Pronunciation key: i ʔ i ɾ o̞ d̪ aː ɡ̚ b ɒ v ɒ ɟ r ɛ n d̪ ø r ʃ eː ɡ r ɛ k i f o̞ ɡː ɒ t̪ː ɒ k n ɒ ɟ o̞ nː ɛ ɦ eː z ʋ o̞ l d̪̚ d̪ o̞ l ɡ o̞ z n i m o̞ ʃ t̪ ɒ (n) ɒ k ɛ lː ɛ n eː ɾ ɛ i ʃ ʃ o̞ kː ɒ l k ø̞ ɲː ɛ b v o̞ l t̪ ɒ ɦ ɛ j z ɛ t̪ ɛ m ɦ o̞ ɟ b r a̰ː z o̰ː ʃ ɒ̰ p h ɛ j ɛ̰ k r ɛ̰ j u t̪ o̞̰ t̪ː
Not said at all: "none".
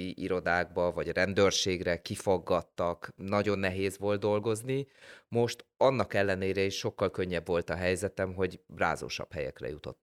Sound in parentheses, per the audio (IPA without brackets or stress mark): nː